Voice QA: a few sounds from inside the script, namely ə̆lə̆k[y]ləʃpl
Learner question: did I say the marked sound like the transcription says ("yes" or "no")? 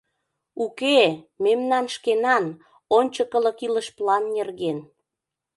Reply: no